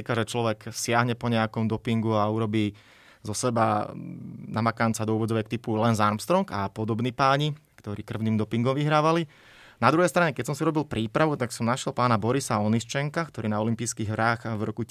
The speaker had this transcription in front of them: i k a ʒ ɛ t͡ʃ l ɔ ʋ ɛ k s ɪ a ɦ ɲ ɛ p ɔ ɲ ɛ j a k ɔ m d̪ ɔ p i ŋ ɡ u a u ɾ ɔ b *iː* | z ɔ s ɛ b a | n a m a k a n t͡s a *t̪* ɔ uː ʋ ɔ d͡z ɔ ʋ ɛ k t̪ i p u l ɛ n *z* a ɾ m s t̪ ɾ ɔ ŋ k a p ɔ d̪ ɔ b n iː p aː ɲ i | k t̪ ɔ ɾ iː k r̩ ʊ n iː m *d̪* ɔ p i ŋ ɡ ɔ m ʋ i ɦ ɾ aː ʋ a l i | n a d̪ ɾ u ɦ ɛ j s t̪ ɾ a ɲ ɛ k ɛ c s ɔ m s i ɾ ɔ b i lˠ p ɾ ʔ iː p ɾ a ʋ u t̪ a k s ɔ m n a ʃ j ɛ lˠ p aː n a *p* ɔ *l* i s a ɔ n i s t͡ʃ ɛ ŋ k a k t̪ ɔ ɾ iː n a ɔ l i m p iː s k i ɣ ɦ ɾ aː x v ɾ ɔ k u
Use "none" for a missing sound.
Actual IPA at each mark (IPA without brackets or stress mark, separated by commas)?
iː, d̪, z, d̪, b, ɾ